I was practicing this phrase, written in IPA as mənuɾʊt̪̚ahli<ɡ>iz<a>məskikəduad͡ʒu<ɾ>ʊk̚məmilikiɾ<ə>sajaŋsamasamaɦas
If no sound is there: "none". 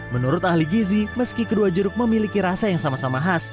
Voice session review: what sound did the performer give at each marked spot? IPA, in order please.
ɡ, i, ɾ, a

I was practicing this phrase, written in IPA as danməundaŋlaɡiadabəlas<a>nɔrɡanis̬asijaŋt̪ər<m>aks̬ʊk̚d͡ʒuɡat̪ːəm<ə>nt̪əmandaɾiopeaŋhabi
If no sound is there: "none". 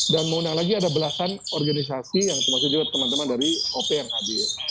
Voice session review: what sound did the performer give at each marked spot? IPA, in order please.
a, m, a

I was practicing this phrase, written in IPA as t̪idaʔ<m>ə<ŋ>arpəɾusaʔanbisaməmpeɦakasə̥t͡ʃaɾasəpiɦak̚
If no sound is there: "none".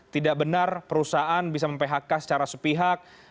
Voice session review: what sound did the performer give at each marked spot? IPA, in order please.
b, n

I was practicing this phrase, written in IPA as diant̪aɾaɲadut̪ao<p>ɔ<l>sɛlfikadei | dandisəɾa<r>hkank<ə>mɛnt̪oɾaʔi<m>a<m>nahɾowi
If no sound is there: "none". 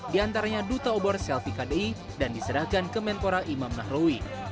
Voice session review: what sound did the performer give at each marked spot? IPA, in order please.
b, r, none, ə, m, m

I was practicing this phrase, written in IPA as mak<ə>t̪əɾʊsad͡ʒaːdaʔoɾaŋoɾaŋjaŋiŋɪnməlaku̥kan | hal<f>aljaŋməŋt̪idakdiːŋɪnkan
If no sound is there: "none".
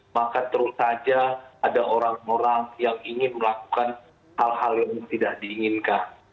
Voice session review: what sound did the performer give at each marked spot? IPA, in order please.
a, h

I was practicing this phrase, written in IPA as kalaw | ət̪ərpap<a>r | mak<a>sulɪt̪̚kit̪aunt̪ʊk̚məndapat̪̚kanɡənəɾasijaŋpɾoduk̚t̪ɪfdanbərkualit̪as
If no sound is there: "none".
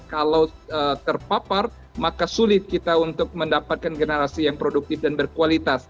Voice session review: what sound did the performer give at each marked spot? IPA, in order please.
a, a

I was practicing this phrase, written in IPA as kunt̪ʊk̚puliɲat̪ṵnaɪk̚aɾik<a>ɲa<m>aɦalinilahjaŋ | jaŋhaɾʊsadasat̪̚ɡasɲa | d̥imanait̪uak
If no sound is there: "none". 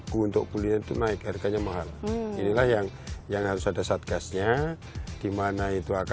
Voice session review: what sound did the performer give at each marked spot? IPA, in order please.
a, m

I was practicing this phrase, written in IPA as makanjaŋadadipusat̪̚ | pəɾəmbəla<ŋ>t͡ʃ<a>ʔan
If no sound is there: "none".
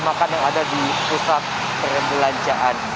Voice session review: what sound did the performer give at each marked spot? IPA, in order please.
ɲ, a

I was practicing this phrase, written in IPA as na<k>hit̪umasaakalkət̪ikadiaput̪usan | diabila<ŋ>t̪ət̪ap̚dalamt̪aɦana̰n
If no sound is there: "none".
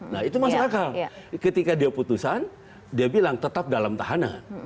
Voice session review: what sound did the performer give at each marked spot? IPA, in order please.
none, ŋ

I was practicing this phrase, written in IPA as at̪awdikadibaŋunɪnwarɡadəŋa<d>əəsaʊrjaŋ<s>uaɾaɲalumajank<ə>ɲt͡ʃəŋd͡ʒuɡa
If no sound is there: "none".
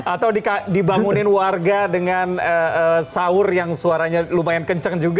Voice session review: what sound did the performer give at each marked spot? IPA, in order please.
n, s, ə

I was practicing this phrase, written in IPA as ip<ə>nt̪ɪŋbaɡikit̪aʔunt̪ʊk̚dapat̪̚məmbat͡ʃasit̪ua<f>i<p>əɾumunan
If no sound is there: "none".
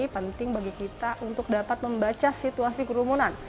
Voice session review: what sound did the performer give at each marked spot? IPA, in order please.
ə, s, k

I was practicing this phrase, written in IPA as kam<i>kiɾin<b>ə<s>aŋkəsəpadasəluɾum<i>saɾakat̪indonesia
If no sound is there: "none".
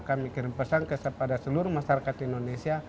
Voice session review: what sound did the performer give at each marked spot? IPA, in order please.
i, p, s, a

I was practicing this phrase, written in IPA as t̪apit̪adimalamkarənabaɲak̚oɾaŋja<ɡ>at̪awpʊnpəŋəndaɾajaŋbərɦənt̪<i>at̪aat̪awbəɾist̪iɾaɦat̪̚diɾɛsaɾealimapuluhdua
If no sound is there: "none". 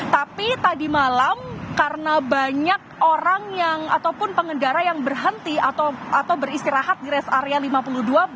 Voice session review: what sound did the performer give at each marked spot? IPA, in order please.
ŋ, i

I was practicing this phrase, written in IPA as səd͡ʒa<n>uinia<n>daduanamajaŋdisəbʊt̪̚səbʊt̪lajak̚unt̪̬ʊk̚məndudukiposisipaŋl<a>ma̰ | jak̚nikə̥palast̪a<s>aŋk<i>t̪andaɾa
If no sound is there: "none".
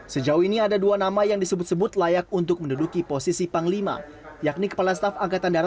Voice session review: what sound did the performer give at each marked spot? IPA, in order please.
none, none, i, f, a

